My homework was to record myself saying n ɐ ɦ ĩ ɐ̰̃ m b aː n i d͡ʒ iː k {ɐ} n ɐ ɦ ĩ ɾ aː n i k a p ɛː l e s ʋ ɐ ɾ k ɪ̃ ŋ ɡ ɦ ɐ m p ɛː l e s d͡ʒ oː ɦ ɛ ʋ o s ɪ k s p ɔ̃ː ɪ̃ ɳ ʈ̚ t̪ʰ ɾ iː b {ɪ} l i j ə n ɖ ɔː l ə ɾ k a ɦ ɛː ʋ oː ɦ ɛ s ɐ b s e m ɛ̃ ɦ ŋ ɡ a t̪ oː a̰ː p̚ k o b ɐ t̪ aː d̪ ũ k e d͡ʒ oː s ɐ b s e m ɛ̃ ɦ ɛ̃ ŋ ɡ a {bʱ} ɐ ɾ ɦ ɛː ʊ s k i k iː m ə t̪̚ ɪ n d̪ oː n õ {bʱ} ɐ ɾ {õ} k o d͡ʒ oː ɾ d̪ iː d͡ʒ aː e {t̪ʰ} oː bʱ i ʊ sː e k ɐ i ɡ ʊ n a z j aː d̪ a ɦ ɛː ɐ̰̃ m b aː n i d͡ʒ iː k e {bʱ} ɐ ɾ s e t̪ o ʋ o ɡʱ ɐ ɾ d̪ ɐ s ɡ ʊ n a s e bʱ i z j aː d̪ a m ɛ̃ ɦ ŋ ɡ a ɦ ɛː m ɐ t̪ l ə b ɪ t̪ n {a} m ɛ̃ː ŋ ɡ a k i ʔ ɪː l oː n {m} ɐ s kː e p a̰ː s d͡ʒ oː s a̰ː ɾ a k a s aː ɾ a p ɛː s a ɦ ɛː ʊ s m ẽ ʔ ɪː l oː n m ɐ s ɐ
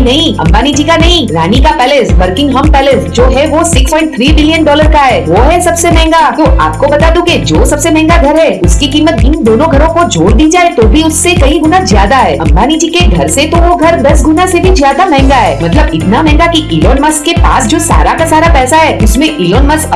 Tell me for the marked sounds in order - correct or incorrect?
incorrect: a, correct, incorrect: ɡʱ, incorrect: ɡʱ, correct, incorrect: t̪, incorrect: ɡʱ, correct, correct

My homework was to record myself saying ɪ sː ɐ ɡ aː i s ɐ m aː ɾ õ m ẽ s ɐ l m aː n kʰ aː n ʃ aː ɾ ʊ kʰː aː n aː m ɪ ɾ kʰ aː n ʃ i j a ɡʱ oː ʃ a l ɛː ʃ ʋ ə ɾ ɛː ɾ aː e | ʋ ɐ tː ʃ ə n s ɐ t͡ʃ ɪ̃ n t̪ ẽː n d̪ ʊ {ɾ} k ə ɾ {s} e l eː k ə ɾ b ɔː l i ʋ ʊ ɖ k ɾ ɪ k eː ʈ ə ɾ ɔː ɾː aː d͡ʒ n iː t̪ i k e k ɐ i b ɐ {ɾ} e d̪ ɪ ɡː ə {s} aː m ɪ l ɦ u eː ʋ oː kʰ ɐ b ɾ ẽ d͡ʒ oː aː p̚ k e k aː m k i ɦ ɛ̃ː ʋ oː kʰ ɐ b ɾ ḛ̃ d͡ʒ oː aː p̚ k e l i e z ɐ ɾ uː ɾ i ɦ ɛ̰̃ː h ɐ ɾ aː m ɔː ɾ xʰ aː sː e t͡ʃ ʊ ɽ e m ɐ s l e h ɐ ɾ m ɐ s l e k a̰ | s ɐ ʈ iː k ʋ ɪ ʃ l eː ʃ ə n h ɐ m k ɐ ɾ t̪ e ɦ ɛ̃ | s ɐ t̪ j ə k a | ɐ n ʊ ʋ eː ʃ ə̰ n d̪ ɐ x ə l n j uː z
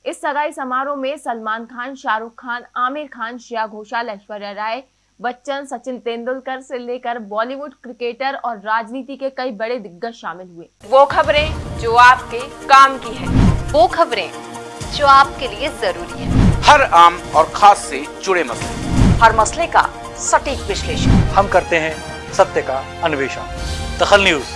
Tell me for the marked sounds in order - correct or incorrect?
incorrect: l, correct, incorrect: ɽ, incorrect: ʃ

